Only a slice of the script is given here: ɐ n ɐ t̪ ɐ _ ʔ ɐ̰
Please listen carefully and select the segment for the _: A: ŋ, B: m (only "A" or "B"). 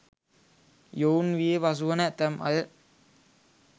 B